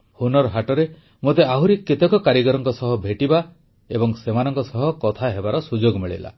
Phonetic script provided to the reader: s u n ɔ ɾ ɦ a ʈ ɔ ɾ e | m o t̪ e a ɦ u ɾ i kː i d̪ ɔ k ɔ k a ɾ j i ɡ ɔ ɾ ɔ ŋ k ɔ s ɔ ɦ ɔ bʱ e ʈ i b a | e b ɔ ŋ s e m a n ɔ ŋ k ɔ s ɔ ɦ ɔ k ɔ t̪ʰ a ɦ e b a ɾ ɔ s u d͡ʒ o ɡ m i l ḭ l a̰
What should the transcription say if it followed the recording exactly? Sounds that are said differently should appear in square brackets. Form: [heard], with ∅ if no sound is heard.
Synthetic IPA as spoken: [h] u n ɔ ɾ ɦ a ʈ ɔ ɾ e | m o t̪ e a ɦ u ɾ i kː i [t̪] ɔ k ɔ k a ɾ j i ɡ ɔ ɾ ɔ ŋ k ɔ s ɔ ɦ ɔ bʱ e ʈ i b a | e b ɔ ŋ s e m a n ɔ ŋ k ɔ s ɔ ɦ ɔ k ɔ t̪ʰ a ɦ e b a ɾ ɔ s u d͡ʒ o ɡ m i [ɭ] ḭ l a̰

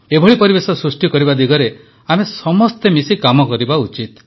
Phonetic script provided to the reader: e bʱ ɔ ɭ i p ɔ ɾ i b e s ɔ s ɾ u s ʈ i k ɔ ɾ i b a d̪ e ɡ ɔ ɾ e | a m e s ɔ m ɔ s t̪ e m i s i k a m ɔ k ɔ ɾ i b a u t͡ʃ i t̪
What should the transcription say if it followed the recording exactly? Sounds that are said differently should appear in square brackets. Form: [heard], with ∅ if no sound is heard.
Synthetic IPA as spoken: e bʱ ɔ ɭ i p ɔ ɾ i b e s ɔ s ɾ u s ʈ i k ɔ ɾ i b a d̪ [i] ɡ ɔ ɾ e | a m e s ɔ m ɔ s t̪ e m i s i k a m ɔ k ɔ ɾ i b a u t͡ʃ i t̪

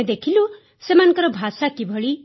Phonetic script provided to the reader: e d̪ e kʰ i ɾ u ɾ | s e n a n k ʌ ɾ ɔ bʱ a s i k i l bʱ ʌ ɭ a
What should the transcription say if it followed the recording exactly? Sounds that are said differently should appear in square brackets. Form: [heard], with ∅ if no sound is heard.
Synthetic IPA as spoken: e d̪ e kʰ i [l] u [∅] | s e [m] a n k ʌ ɾ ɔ bʱ a s [a] k i [∅] bʱ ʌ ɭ [i]

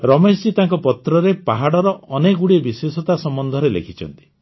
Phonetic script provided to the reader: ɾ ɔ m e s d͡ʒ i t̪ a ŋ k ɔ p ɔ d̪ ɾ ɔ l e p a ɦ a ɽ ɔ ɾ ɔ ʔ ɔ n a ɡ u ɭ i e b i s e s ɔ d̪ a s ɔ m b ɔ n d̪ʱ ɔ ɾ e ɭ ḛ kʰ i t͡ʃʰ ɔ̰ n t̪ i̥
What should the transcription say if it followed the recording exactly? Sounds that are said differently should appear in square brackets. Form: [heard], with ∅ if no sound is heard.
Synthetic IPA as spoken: ɾ ɔ m e s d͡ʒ i t̪ a ŋ k ɔ p ɔ [t̪] ɾ ɔ [ɾ] e p a ɦ a ɽ ɔ ɾ ɔ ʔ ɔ n [e] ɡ u [ɽ] i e b i s e s ɔ [t̪] a s ɔ m b ɔ n d̪ʱ ɔ ɾ e [l] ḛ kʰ i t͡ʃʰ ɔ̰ n t̪ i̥

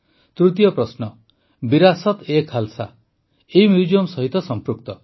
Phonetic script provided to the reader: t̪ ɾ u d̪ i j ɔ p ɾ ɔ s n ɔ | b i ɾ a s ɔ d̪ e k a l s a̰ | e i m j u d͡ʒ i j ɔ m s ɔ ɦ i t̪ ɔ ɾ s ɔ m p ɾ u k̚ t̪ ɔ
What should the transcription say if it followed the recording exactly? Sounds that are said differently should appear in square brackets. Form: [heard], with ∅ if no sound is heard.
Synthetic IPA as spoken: t̪ ɾ u [t̪] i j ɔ p ɾ ɔ s n ɔ | b i ɾ a s ɔ [t̪] e [kʰ] a l s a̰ | e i m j u d͡ʒ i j ɔ m s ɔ ɦ i t̪ ɔ [∅] s ɔ m p ɾ u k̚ t̪ ɔ

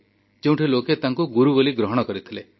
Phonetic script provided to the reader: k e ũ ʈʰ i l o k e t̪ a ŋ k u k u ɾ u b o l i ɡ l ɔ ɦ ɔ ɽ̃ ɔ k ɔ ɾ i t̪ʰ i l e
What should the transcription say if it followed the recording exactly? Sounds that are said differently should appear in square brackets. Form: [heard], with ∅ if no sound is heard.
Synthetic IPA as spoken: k e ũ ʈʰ i l o k e t̪ a ŋ k u [ɡ] u ɾ u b o l i ɡ [ɾ] ɔ ɦ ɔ ɽ̃ ɔ k ɔ ɾ i t̪ʰ i l e

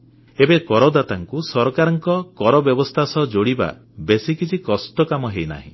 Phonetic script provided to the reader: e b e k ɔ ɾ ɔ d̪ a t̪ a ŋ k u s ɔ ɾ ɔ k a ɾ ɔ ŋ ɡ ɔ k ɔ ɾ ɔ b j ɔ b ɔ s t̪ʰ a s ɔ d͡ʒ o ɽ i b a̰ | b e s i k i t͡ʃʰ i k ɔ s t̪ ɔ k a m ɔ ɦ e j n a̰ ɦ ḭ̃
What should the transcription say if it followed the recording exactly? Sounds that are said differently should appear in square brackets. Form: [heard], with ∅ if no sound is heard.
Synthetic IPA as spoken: e b e k ɔ ɾ ɔ d̪ a t̪ a ŋ k u s ɔ ɾ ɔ k a ɾ ɔ ŋ [k] ɔ k ɔ ɾ ɔ b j ɔ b ɔ s t̪ʰ a s ɔ d͡ʒ o ɽ i b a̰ | b e s i k i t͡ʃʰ i k ɔ s t̪ ɔ k a m ɔ ɦ e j n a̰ ɦ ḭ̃

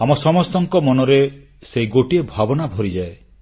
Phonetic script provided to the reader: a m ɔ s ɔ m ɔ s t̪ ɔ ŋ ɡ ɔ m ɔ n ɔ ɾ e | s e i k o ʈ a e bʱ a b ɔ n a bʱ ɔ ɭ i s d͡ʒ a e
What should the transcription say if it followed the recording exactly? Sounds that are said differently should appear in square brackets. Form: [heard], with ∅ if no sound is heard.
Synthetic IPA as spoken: a m ɔ s ɔ m ɔ s t̪ ɔ ŋ [k] ɔ m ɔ n ɔ ɾ e | s e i [ɡ] o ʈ [i] e bʱ a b ɔ n a bʱ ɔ [ɾ] i [∅] d͡ʒ a e

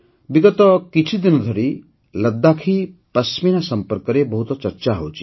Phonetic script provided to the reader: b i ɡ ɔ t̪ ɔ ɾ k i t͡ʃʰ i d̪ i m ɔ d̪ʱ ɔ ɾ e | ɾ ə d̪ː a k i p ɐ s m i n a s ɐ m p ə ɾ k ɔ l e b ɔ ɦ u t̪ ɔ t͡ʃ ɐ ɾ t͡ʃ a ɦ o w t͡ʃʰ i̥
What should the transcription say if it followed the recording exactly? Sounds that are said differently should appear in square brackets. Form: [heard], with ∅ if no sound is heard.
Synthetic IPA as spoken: b i ɡ ɔ t̪ ɔ [∅] k i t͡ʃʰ i d̪ i [n] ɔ d̪ʱ ɔ ɾ [i] | [l] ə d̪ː a [kʰ] i p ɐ s m i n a s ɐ m p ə ɾ k ɔ [ɾ] e b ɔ ɦ u t̪ ɔ t͡ʃ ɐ ɾ t͡ʃ a ɦ o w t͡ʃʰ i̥

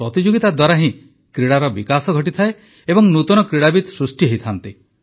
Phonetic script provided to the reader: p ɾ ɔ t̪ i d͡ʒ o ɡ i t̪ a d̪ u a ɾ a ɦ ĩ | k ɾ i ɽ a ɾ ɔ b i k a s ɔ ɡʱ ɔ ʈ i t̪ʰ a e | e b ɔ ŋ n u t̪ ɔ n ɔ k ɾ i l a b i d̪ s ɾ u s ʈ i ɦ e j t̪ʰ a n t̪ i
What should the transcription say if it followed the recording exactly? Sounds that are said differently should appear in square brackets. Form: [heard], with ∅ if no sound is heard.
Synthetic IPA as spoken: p ɾ ɔ t̪ i d͡ʒ o ɡ i t̪ a d̪ [w] a ɾ a ɦ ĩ | k ɾ i ɽ a ɾ ɔ b i k a s ɔ ɡʱ ɔ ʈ i t̪ʰ a e | e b ɔ ŋ n u t̪ ɔ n ɔ k ɾ i [ɽ] a b i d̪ s ɾ u s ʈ i ɦ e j t̪ʰ a n t̪ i

